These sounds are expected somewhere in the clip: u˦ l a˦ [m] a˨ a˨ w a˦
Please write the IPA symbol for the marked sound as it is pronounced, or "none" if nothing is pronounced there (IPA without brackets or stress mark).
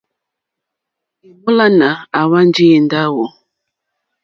n